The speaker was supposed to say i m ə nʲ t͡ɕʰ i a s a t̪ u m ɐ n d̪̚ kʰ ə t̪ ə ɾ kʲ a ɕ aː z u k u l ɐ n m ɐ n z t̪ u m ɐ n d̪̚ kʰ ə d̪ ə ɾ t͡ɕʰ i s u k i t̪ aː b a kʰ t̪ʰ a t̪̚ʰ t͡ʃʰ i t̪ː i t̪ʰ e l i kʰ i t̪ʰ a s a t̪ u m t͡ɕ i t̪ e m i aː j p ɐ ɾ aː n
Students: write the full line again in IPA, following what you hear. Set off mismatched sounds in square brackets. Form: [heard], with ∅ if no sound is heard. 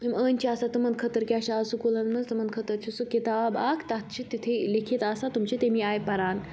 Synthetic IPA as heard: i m ə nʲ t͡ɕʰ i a s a t̪ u m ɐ n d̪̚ kʰ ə t̪ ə ɾ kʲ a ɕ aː [s] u k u l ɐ n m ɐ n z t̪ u m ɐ n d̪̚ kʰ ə [t̪] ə ɾ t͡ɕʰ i s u k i t̪ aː b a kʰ [t̪] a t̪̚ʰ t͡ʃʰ i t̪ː i t̪ʰ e l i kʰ i [t̪] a s a t̪ u m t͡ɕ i t̪ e m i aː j p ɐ ɾ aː n